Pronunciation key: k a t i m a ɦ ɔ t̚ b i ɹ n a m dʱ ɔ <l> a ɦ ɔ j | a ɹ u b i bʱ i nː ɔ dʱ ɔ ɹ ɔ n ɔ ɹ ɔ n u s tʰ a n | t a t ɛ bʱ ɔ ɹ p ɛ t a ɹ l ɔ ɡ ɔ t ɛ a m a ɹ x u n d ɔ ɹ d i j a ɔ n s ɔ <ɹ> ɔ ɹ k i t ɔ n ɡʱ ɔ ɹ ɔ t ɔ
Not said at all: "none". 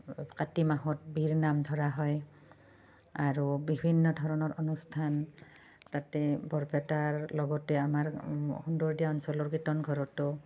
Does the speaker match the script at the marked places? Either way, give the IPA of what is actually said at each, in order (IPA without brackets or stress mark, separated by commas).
ɹ, l